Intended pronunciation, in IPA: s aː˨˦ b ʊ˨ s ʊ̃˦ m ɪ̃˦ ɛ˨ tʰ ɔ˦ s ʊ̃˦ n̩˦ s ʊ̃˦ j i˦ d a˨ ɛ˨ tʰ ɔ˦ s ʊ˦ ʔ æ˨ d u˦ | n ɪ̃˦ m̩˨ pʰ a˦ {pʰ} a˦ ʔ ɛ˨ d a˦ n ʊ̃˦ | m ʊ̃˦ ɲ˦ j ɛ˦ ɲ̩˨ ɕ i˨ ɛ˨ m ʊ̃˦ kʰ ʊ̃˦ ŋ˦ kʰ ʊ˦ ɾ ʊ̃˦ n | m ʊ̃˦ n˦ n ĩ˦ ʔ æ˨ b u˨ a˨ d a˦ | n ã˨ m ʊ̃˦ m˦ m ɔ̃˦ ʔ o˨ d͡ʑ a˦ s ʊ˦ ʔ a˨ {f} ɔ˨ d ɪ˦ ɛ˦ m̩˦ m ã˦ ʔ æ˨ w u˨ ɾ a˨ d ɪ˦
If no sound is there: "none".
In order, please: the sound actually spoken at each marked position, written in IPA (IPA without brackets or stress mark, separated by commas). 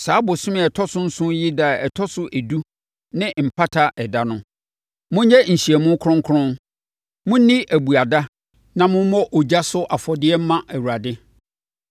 tʰ, f